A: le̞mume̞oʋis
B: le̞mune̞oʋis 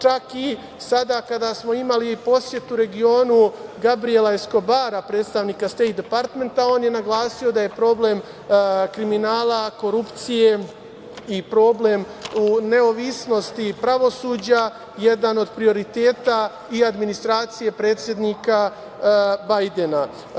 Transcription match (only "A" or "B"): B